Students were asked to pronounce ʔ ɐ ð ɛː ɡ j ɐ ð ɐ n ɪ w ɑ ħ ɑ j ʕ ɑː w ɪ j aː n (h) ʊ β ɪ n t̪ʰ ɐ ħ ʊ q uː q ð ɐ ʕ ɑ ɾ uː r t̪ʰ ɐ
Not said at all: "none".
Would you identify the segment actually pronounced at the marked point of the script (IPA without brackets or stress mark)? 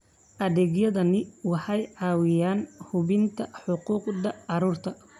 h